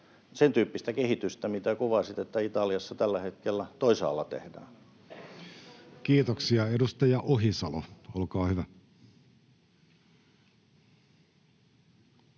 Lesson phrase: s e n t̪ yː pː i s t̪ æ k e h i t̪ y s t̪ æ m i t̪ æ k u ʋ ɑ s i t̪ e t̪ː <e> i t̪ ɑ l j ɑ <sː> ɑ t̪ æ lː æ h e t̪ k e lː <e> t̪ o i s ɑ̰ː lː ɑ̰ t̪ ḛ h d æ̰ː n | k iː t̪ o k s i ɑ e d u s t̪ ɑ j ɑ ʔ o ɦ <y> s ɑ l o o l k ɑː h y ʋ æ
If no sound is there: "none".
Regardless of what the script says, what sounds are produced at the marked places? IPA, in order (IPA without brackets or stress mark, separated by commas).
æ, sː, æ, i